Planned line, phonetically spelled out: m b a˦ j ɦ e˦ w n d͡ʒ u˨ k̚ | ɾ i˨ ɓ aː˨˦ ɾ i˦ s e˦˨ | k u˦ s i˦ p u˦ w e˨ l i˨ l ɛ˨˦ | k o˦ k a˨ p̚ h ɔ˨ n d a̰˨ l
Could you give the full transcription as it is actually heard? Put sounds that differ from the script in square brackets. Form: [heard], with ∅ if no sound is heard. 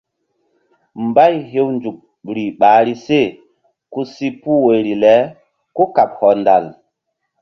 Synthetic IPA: m b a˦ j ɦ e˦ w n d͡ʒ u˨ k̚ | ɾ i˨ ɓ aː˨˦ ɾ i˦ s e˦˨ | k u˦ s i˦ p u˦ w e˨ [ɾ] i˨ l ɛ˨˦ | k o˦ k a˨ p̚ h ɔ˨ n d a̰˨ l